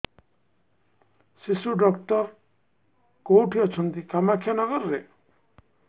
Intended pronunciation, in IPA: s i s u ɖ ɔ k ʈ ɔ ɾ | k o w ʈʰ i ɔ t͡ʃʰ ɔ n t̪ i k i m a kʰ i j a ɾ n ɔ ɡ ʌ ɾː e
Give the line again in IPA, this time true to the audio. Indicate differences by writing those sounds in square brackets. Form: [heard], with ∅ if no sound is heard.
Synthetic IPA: s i s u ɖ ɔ k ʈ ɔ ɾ | k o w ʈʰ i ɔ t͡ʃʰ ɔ n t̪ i k [a] m a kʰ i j a [∅] n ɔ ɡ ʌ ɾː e